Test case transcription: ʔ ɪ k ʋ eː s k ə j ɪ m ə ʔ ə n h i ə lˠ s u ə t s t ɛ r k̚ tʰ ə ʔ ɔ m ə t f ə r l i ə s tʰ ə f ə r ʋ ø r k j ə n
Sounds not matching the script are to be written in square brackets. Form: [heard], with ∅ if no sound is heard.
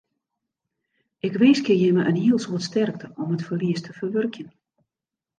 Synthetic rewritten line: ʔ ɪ k ʋ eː s k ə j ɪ m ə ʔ ə n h i ə lˠ s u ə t s t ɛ r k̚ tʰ ə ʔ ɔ m ə t f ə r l i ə s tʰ ə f ə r ʋ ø r k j ə n